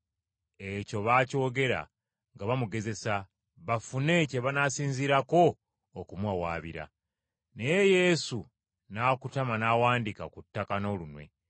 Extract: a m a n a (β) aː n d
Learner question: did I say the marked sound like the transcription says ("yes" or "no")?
no